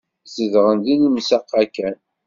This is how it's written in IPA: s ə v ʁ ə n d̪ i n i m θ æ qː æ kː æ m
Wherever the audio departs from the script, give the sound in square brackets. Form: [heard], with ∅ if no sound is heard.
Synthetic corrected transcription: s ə [ð] ʁ ə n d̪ i n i m [s] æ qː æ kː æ [n]

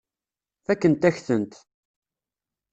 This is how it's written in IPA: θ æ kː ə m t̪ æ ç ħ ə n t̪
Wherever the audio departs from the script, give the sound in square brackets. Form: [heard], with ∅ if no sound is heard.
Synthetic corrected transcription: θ æ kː ə [n] t̪ æ ç [θ] ə n t̪

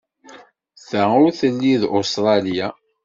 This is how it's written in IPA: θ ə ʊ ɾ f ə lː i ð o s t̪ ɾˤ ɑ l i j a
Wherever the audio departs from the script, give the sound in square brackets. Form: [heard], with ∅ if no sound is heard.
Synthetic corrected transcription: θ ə ʊ ɾ [θ] ə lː i ð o s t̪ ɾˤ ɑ l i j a

